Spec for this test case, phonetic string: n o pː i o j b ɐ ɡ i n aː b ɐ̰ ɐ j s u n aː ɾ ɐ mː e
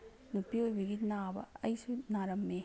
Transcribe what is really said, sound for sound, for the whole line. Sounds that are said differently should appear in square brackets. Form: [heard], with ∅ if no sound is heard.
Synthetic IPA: n [u] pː i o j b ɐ ɡ i n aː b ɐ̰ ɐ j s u n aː ɾ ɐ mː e